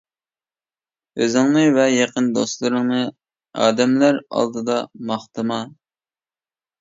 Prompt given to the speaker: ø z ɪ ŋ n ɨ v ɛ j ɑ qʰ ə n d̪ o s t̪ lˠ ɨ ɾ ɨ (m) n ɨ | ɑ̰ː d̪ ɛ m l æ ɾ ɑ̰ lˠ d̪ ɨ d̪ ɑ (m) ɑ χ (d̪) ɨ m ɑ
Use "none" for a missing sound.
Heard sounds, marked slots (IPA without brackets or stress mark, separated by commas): ŋ, m, t̪